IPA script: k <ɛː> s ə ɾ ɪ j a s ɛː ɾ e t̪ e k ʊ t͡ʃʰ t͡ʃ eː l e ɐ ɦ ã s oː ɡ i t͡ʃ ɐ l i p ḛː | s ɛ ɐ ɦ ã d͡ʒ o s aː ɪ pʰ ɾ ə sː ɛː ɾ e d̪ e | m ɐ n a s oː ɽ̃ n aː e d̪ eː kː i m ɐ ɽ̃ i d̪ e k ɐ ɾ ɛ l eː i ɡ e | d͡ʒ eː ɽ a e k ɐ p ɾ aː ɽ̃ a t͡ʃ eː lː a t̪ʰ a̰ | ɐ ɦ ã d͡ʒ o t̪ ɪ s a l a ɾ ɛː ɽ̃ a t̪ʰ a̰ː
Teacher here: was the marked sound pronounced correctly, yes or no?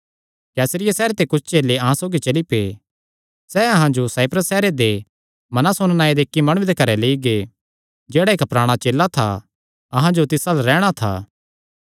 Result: yes